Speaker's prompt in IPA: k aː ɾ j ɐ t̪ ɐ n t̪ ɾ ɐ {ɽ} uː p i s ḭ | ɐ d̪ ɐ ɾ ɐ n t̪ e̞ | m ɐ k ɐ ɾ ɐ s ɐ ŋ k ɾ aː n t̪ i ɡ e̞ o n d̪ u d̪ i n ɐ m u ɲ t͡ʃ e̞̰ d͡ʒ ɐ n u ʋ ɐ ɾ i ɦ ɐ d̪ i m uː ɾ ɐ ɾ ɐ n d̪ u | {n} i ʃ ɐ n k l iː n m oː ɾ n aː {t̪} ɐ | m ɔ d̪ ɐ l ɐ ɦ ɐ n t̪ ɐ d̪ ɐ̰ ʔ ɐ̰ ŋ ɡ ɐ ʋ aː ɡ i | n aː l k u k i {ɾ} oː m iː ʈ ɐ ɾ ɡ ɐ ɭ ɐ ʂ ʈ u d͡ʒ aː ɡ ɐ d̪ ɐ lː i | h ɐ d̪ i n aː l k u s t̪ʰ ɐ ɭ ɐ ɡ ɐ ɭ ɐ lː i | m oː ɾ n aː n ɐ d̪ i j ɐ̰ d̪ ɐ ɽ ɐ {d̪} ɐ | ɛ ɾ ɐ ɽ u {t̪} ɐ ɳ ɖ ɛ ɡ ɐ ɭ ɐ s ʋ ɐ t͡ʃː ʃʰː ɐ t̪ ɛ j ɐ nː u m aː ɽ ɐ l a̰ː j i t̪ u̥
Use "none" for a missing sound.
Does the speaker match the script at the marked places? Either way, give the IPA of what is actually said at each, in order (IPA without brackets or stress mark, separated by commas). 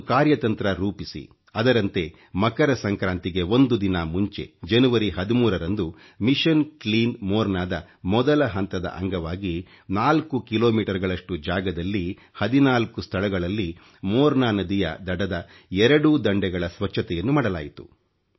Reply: ɾ, m, d̪, l, d̪, d̪